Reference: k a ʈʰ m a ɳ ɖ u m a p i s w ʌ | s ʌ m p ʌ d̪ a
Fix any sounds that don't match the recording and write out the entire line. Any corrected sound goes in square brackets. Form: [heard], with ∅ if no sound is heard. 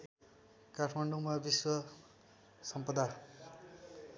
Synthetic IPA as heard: k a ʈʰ m a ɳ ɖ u m a [b] i s w ʌ | s ʌ m p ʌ d̪ a